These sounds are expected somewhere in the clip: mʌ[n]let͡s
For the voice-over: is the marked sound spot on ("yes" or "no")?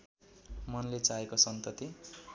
yes